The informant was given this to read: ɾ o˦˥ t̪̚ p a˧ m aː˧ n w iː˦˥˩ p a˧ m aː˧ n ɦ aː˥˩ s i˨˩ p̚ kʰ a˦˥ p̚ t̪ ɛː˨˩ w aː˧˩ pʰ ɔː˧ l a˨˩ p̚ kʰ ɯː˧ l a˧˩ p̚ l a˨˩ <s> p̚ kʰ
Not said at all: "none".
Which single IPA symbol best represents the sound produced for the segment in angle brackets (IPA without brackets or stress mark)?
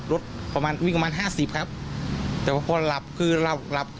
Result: none